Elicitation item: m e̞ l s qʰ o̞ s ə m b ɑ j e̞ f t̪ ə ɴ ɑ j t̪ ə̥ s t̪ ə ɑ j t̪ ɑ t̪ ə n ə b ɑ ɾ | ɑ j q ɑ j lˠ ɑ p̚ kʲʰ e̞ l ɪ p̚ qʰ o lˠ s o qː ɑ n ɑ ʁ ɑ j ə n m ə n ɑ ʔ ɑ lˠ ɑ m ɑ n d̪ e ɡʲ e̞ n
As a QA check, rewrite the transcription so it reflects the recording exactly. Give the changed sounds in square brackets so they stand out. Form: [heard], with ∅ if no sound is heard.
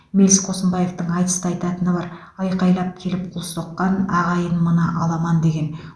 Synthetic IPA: m e̞ l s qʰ o̞ s ə m b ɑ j e̞ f t̪ ə ɴ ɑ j t̪ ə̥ s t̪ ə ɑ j t̪ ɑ t̪ ə n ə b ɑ ɾ | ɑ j q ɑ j lˠ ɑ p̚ kʲʰ e̞ l ɪ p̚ qʰ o lˠ s o qː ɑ n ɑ ʁ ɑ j ə n m ə n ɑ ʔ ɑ lˠ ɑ m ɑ n d̪ e ɡʲ e̞ n